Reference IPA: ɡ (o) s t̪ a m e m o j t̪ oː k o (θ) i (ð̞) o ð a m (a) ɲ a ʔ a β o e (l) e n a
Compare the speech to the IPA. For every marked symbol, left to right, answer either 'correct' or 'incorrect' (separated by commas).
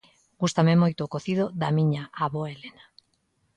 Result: incorrect, correct, correct, incorrect, correct